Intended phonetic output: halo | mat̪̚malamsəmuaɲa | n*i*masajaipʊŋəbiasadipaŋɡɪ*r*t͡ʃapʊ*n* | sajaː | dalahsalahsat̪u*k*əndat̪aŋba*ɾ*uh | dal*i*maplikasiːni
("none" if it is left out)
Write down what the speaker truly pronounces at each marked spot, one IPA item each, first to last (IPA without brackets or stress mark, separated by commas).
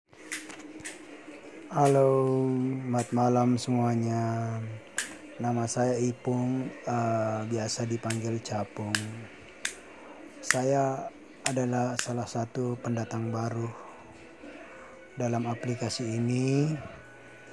a, l, ŋ, p, ɾ, a